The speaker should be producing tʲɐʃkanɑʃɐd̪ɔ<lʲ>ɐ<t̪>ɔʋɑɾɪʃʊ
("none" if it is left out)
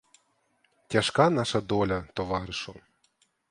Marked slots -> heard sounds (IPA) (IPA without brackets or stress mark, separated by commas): lʲ, t̪